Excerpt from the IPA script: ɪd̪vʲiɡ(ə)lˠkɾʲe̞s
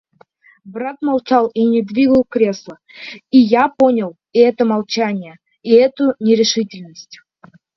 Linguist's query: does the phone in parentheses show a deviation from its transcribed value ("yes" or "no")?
no